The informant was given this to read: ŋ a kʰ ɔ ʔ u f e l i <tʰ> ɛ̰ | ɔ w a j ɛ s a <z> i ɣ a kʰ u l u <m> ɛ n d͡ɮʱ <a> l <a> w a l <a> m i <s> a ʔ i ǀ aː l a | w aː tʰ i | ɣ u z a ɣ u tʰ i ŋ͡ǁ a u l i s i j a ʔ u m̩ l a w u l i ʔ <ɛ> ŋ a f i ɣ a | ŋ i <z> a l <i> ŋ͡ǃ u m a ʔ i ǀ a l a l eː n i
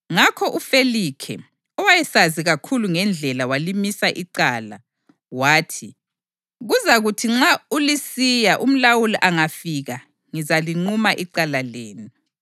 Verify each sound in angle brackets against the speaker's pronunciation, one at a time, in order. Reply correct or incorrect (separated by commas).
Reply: incorrect, correct, incorrect, incorrect, correct, incorrect, correct, incorrect, correct, correct